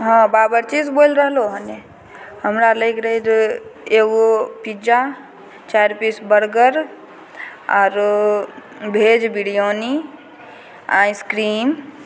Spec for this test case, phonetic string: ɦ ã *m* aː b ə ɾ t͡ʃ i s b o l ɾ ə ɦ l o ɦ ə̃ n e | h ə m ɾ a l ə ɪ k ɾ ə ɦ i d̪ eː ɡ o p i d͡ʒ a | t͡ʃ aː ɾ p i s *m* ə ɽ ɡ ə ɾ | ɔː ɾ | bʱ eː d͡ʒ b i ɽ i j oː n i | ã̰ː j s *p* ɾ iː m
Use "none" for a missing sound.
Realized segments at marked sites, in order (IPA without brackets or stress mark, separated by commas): b, b, k